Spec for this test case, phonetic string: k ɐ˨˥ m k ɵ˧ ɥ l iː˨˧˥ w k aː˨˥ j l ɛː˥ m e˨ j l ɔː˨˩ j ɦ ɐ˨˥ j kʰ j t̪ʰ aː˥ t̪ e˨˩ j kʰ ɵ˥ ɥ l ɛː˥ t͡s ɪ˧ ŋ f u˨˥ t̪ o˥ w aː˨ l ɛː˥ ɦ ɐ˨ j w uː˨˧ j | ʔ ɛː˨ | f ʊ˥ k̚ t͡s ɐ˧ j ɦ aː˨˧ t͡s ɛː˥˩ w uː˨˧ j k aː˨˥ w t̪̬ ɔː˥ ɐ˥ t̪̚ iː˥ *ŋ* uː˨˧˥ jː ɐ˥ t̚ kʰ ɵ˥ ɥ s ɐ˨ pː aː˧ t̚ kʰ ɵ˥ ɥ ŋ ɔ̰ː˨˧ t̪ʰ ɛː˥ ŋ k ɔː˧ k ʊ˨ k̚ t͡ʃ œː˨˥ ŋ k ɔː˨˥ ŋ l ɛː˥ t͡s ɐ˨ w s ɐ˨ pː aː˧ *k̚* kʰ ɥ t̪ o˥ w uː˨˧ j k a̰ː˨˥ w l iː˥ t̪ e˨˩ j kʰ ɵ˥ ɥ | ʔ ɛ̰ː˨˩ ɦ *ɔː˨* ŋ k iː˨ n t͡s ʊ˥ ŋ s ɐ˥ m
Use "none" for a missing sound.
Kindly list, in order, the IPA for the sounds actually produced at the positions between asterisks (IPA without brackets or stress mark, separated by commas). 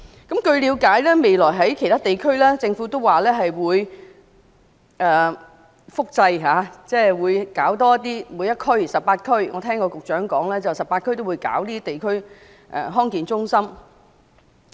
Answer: m, t̚, ɔː˥